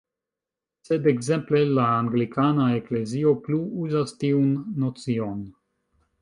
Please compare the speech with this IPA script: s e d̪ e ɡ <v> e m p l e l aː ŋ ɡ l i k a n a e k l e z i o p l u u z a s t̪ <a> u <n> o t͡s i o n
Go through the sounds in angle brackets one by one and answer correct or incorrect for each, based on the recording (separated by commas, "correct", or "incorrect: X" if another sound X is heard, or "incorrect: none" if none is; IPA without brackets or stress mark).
incorrect: z, incorrect: i, incorrect: nː